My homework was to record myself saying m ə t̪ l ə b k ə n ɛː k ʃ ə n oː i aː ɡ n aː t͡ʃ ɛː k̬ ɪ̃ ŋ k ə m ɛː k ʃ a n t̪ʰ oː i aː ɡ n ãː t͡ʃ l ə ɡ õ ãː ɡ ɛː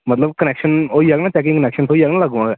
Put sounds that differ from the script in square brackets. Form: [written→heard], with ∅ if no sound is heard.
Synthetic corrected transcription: m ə t̪ l ə b k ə n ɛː k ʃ ə n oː i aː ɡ n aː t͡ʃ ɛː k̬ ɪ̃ ŋ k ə [m→n] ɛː k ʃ [a→ə] n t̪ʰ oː i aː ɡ n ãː [t͡ʃ→∅] l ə ɡ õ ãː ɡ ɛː